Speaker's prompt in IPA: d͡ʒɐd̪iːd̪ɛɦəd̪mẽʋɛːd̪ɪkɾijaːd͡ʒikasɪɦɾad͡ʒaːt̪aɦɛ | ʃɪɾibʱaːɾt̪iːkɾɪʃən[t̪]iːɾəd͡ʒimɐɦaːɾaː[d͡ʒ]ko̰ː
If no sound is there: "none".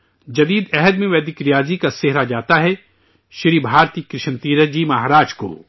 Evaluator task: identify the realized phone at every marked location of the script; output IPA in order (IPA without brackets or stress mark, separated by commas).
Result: t̪, d͡ʒ